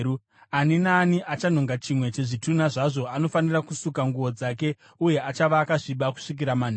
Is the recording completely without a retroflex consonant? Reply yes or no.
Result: no